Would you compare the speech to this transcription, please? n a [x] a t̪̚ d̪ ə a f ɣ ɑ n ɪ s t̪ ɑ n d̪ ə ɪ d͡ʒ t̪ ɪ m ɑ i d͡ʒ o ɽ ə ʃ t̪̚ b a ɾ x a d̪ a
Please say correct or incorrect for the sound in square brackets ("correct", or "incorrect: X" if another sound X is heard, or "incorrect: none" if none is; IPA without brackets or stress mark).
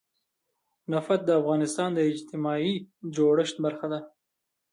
incorrect: f